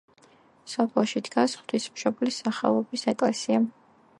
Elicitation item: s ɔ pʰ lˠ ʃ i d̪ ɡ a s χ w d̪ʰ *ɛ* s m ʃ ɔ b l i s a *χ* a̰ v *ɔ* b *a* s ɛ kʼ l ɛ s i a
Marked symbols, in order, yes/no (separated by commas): no, yes, yes, no